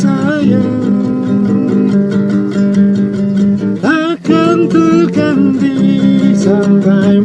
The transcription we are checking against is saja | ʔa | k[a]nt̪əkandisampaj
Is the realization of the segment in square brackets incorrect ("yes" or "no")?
no